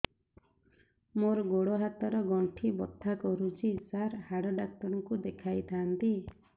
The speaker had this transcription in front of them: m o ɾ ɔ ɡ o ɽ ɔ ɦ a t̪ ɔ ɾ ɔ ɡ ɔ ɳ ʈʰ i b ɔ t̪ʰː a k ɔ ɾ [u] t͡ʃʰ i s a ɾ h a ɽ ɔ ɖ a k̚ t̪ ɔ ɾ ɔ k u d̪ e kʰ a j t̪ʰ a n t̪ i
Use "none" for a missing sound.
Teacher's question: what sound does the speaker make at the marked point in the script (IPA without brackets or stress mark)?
u